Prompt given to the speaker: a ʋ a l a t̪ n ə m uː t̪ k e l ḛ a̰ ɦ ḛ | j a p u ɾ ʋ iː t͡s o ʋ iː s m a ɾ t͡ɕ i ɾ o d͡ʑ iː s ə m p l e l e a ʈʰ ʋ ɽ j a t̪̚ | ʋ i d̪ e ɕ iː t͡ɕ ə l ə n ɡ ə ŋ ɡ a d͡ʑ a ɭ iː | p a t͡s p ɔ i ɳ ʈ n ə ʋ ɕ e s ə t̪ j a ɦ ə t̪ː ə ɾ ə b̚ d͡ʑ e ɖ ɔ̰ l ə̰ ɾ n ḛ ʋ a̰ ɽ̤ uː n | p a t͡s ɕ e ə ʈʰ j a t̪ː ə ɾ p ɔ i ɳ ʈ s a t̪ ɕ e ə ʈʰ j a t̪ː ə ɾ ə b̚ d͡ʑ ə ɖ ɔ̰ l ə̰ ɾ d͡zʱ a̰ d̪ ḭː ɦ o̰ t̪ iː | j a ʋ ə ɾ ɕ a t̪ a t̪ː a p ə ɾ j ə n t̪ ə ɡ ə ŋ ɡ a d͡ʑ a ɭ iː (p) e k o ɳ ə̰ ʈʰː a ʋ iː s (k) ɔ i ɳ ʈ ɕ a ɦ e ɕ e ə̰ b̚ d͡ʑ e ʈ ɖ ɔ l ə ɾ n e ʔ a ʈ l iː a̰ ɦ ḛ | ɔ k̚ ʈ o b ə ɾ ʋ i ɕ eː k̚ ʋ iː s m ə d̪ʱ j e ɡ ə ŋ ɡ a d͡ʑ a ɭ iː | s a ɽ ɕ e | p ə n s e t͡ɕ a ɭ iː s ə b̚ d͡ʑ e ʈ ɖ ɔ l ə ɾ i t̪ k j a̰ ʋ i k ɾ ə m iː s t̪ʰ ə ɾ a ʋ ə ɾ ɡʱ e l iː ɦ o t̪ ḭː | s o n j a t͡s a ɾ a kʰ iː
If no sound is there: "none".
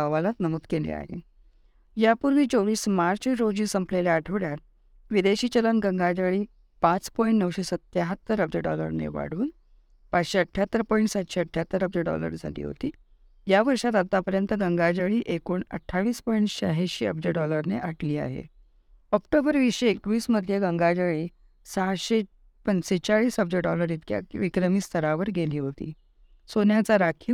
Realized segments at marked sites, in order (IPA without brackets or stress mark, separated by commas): ʔ, p